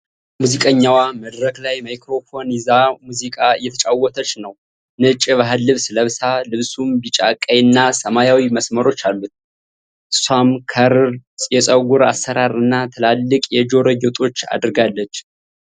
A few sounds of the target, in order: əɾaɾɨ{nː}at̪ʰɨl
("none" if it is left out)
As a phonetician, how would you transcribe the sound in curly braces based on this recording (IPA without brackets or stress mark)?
nː